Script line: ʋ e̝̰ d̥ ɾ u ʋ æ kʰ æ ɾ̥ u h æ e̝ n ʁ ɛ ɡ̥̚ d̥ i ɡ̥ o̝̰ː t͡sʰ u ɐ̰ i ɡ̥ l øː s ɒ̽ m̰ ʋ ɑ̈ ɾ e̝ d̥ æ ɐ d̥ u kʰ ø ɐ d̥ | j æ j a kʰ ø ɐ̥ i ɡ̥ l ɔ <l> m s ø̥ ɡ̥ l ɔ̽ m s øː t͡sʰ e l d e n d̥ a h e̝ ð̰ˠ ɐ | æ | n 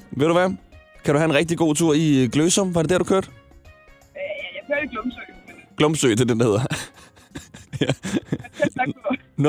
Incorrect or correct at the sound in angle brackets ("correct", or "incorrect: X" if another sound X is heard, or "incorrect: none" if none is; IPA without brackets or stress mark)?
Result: incorrect: none